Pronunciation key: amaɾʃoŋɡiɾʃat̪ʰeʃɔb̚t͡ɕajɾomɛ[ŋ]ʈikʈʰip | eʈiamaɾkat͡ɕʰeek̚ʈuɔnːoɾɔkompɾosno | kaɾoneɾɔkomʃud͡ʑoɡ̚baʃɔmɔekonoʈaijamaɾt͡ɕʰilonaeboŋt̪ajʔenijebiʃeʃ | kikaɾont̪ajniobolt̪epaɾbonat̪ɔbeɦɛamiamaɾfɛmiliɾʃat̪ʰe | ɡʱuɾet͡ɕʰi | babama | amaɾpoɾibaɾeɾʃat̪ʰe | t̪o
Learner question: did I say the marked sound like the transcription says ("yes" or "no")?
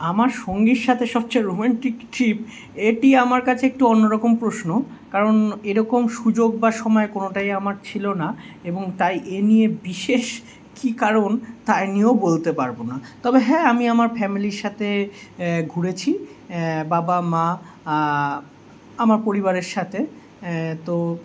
no